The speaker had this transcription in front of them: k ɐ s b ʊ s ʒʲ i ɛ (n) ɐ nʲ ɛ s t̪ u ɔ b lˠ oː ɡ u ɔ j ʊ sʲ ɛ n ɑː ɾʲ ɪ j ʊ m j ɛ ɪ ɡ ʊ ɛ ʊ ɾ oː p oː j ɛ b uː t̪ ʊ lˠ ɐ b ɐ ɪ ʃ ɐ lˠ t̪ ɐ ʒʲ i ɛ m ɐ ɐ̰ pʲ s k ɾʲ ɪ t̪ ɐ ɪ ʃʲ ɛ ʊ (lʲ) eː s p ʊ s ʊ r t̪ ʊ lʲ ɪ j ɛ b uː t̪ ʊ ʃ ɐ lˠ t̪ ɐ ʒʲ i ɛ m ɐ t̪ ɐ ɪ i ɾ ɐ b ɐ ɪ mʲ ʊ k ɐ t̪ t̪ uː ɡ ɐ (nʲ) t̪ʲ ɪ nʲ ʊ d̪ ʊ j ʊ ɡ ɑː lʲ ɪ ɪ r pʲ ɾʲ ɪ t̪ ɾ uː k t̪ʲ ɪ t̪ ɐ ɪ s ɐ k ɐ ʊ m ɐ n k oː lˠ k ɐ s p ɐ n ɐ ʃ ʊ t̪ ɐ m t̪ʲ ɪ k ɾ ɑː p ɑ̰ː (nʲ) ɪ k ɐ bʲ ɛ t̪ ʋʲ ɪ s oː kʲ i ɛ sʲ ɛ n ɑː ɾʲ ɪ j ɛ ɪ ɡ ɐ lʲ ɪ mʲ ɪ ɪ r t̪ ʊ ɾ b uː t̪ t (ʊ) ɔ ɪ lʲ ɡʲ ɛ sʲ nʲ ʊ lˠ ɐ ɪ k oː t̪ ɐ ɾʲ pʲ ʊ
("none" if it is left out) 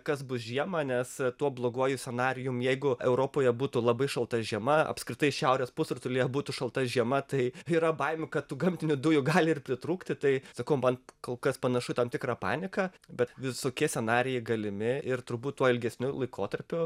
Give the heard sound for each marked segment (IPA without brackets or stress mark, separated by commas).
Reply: m, ɾʲ, mʲ, nʲ, u